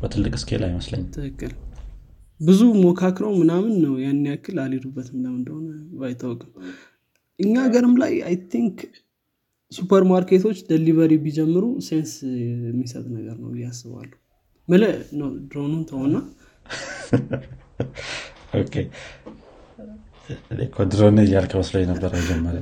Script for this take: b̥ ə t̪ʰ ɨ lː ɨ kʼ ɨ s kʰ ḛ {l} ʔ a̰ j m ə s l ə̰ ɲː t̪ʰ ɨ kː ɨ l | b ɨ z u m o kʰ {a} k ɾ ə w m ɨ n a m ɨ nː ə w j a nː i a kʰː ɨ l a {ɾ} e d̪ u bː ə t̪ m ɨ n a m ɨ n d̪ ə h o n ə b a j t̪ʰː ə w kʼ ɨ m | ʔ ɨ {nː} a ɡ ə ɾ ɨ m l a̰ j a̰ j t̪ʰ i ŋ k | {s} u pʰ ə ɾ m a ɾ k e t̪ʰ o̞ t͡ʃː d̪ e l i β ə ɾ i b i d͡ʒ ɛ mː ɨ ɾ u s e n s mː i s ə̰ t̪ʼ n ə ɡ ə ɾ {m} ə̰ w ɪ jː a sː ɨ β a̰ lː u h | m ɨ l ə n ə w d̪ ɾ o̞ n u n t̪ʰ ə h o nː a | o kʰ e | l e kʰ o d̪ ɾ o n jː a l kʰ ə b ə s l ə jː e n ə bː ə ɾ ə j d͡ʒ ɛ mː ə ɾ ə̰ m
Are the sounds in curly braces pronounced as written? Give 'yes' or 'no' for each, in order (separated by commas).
yes, yes, no, no, yes, no